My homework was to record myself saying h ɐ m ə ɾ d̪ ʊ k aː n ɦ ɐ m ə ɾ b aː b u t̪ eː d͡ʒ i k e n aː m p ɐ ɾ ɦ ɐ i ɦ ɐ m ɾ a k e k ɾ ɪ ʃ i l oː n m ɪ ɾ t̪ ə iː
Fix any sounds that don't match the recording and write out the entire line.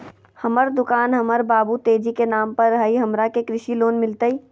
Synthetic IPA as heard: h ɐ m ə ɾ d̪ ʊ k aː n ɦ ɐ m ə ɾ b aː b u t̪ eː d͡ʒ i k e n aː m p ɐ ɾ ɦ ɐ i ɦ ɐ m ɾ a k e k ɾ ɪ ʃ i l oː n m ɪ l t̪ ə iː